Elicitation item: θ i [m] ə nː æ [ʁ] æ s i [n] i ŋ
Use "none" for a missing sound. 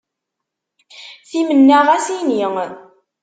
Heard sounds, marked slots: m, ʁ, n

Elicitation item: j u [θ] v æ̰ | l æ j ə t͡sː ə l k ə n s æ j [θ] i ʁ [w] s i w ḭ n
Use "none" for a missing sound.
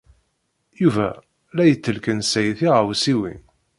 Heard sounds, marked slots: none, θ, w

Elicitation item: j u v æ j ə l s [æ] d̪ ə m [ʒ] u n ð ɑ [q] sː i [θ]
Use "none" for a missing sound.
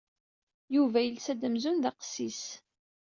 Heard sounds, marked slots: æ, z, q, s

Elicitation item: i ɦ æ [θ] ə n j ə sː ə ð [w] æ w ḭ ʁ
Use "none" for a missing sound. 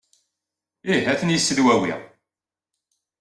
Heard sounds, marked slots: θ, w

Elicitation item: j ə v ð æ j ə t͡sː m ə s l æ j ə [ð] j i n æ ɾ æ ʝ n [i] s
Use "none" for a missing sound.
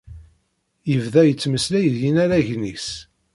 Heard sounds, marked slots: ð, i

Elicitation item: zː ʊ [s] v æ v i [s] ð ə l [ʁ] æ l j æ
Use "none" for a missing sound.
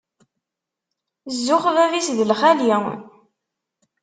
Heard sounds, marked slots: χ, s, χ

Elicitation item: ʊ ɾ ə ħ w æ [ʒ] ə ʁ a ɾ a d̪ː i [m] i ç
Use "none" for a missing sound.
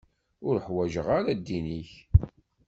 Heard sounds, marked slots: ʒ, n

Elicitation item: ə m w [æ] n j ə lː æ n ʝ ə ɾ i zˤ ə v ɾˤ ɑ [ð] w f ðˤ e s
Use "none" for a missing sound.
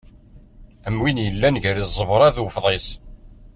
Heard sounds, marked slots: i, ð

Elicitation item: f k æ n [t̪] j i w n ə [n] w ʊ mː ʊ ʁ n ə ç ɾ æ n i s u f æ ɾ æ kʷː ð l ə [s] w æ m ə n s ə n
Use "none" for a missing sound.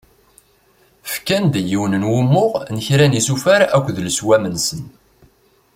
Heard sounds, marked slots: d̪, n, s

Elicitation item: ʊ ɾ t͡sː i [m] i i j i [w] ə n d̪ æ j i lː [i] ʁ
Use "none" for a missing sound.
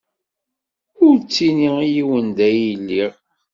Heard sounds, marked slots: n, w, i

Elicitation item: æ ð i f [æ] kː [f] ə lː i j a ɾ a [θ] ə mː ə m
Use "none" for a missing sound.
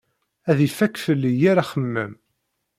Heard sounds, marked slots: æ, f, χ

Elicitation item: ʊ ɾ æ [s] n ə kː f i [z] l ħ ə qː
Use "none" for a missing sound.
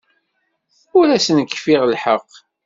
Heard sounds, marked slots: s, ʁ

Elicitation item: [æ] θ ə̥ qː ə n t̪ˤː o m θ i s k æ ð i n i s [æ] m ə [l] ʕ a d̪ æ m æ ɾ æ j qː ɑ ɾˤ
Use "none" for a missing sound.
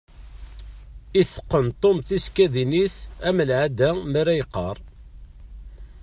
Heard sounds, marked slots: i, æ, l

